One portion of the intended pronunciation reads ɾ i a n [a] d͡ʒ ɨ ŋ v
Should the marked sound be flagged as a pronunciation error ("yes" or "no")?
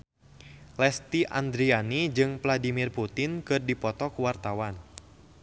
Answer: yes